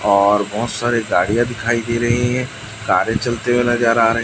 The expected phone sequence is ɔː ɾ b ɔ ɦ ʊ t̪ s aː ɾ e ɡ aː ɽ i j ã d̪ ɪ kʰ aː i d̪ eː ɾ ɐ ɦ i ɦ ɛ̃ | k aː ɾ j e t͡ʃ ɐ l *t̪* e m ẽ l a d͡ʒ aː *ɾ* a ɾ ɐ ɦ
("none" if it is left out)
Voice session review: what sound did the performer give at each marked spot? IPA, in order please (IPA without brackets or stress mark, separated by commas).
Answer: t̪, ɾ